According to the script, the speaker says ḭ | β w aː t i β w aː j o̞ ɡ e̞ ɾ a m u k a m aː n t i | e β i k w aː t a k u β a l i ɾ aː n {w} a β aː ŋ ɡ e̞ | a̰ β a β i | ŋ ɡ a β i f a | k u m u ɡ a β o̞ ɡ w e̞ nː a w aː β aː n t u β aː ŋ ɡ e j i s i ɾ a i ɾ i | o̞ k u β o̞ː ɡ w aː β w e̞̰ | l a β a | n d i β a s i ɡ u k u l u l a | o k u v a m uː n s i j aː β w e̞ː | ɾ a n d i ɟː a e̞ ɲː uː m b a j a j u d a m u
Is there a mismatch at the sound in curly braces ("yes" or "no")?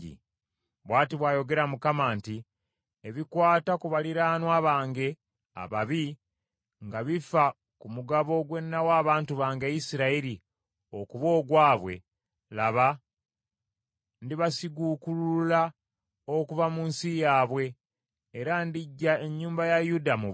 no